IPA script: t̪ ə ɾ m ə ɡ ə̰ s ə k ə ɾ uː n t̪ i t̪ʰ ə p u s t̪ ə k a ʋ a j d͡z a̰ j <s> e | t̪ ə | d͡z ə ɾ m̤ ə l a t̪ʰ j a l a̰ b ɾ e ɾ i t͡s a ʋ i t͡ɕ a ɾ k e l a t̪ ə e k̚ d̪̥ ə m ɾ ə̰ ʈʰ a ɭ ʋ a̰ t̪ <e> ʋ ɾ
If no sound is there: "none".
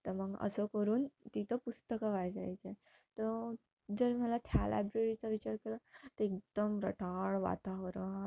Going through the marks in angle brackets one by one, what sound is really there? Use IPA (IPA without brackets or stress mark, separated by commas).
t͡s, a